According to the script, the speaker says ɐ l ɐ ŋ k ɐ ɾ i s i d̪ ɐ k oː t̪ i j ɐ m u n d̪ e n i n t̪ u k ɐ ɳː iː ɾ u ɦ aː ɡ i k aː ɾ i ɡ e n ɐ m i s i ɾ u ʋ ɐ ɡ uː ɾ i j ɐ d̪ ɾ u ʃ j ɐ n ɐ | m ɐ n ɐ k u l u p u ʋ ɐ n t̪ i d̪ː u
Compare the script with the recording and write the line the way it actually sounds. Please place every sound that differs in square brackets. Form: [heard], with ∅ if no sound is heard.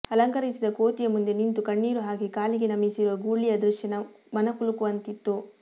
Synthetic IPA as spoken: ɐ l ɐ ŋ k ɐ ɾ i s i d̪ ɐ k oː t̪ i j ɐ m u n d̪ e n i n t̪ u k ɐ ɳː iː ɾ u ɦ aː ɡ i k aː [l] i ɡ e n ɐ m i s i ɾ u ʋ ɐ ɡ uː [ɭ] i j ɐ d̪ ɾ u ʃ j ɐ n ɐ | m ɐ n ɐ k u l u [k] u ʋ ɐ n t̪ i [t̪ː] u